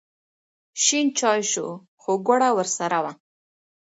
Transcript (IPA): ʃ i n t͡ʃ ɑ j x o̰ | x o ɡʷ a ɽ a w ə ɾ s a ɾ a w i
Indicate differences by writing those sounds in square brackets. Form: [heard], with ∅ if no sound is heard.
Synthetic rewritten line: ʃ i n t͡ʃ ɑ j [ʃ] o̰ | x o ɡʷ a ɽ a w ə ɾ s a ɾ a w [a]